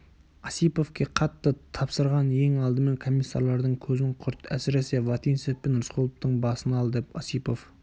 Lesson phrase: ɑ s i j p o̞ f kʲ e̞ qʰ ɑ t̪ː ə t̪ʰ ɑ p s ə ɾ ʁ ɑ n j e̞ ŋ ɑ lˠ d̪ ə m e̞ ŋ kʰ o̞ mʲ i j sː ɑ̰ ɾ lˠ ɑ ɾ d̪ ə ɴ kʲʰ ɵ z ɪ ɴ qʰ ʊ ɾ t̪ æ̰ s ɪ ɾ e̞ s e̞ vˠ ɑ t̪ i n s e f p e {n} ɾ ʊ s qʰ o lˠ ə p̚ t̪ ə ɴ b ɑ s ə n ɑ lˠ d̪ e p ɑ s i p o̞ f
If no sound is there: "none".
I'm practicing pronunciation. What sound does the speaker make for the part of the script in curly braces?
n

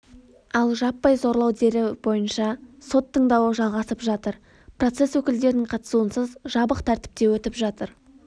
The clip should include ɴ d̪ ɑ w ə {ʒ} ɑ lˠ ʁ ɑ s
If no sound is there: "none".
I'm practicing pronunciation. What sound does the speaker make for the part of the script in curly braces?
ʒ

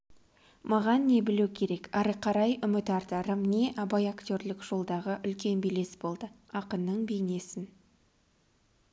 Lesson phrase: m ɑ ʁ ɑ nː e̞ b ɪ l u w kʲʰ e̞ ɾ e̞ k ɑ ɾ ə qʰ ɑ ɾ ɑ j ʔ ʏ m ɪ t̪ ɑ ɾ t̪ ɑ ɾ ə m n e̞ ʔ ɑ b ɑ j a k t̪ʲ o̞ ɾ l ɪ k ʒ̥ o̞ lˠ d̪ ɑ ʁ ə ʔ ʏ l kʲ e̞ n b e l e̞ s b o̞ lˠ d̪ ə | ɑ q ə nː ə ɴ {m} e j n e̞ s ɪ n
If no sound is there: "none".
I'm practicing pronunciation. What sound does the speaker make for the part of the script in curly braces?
b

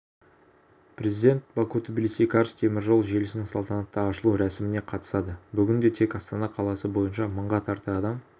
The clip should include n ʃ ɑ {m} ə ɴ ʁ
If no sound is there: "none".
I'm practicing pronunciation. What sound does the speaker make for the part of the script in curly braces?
m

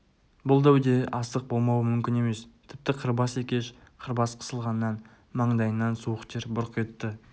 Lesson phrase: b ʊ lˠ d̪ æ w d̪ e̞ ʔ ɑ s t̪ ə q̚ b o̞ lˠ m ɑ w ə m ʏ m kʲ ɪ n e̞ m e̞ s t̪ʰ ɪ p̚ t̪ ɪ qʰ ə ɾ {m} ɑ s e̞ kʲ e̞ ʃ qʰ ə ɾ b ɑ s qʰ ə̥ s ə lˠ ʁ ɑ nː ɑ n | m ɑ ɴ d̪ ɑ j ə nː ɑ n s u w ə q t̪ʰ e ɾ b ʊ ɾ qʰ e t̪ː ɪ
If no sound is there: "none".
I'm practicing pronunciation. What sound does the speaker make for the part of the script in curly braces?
b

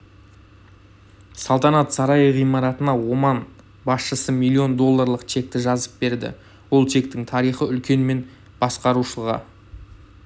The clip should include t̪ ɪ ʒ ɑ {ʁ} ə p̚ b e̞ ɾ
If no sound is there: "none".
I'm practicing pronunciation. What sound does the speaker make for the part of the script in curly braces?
z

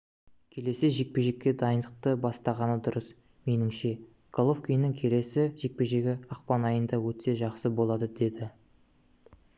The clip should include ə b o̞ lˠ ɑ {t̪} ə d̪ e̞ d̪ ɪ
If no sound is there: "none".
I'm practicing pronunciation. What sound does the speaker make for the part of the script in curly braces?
d̪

